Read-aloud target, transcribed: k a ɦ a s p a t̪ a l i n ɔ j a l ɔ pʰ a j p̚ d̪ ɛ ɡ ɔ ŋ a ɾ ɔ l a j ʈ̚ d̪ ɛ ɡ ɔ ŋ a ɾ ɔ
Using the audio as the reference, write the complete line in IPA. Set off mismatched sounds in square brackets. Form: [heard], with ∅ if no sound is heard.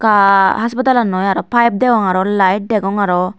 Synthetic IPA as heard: k a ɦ a s p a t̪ a l [a] n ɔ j a [ɾ] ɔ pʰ a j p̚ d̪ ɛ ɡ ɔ ŋ a ɾ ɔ l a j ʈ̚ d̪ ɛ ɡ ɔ ŋ a ɾ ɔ